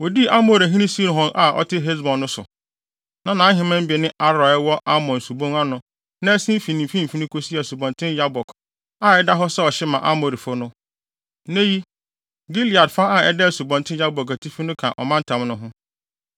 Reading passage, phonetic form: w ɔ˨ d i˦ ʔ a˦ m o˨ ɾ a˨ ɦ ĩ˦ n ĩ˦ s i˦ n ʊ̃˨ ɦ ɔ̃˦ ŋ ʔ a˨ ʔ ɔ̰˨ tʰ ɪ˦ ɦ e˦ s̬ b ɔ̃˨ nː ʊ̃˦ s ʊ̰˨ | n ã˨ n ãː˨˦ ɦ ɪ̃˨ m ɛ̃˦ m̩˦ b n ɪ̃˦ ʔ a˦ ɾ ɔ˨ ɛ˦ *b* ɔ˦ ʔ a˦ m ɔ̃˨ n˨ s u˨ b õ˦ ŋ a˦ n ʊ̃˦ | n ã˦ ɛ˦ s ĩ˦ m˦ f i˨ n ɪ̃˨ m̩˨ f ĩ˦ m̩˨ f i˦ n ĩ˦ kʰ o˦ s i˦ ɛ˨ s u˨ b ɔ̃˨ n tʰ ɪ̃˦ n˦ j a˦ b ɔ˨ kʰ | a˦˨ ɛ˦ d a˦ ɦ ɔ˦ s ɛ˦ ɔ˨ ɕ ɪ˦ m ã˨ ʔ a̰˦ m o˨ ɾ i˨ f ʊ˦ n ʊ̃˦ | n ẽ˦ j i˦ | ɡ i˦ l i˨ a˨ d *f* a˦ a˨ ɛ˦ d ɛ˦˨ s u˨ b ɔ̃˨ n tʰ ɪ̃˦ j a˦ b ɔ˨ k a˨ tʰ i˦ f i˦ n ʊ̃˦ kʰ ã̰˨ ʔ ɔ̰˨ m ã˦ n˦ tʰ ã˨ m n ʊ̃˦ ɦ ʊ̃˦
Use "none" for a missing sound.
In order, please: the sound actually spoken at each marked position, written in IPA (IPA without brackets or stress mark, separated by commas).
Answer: w, f